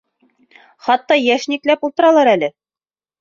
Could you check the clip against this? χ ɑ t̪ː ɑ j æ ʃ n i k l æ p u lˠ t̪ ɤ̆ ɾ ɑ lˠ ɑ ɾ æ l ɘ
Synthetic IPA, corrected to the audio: χ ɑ t̪ː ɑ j æ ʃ n i k l æ p u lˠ t̪ ɤ̆ ɾ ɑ lˠ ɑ ɾ æ l ɘ